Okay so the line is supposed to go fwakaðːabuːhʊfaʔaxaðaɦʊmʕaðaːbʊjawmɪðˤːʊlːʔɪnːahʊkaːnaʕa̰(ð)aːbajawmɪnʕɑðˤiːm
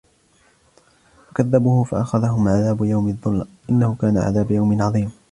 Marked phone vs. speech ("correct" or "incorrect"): correct